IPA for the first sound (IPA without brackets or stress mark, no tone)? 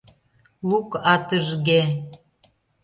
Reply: l